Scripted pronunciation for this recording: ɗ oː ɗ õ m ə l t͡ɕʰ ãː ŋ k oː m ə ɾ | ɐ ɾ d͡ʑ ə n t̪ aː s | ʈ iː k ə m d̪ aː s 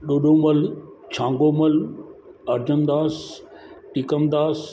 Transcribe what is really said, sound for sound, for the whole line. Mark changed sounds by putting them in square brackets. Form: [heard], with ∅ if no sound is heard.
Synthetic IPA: ɗ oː ɗ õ m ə l t͡ɕʰ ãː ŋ [ɡ] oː m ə [l] | ɐ ɾ d͡ʑ ə n [d̪] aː s | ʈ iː k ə m d̪ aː s